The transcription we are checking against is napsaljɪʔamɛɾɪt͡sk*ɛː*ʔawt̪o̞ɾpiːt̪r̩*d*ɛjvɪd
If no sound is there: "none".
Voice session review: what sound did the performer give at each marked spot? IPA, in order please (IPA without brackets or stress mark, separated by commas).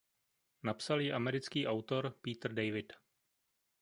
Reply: iː, d